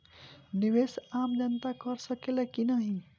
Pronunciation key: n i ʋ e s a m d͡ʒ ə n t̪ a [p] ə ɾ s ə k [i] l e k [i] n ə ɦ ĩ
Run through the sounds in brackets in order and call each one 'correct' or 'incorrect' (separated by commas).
incorrect, incorrect, correct